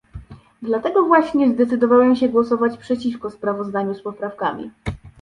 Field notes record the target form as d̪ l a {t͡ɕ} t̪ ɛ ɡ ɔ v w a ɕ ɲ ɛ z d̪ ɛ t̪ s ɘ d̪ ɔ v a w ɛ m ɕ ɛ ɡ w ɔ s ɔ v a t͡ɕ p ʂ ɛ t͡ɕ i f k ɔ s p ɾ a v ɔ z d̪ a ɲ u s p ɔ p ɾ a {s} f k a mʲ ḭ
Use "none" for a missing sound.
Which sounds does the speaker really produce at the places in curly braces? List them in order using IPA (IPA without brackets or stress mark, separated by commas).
none, none